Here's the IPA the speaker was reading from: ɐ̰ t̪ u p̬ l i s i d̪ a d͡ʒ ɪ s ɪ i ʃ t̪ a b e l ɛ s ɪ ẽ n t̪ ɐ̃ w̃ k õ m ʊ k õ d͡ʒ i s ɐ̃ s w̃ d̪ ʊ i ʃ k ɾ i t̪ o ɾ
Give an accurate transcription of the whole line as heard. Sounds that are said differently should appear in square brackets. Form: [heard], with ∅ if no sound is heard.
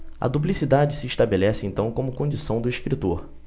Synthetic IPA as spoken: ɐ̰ [d̪] u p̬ l i s i d̪ a d͡ʒ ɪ s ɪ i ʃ t̪ a b e l ɛ s ɪ ẽ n t̪ ɐ̃ w̃ k õ m ʊ k õ d͡ʒ i s ɐ̃ [∅] w̃ d̪ ʊ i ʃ k ɾ i t̪ o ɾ